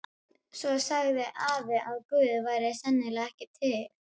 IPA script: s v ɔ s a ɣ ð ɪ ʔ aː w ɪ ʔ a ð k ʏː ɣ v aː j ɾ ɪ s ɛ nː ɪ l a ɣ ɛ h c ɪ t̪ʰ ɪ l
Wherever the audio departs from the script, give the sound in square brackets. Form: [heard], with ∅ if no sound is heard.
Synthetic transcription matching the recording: s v ɔ s a ɣ ð ɪ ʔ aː [v] ɪ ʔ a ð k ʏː [ð] v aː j ɾ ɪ s ɛ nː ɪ l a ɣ ɛ h c ɪ t̪ʰ ɪ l